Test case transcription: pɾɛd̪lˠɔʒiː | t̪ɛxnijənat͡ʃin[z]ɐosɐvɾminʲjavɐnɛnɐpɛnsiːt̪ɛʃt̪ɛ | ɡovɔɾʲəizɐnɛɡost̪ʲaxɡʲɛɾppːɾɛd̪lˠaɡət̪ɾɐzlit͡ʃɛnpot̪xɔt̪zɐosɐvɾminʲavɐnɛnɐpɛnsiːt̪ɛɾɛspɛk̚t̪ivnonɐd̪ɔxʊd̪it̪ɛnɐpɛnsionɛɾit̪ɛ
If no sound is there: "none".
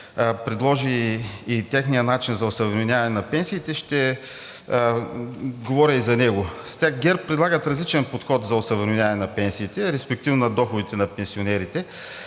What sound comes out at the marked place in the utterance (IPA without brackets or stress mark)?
z